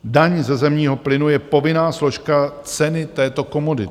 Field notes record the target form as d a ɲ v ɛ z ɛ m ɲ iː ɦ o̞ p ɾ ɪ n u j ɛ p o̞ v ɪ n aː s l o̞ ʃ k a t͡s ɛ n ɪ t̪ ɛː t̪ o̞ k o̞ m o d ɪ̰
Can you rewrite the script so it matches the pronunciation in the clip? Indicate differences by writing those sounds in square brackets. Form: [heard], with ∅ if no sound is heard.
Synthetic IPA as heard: d a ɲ [z] ɛ z ɛ m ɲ iː ɦ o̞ p [l] ɪ n u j ɛ p o̞ v ɪ n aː s l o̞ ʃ k a t͡s ɛ n ɪ t̪ ɛː t̪ o̞ k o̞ m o d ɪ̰